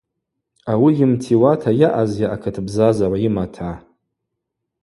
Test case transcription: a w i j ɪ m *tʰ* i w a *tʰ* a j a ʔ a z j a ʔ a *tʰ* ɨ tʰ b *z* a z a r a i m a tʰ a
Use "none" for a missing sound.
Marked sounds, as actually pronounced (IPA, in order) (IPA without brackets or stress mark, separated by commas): tʰ, tʰ, kʰ, z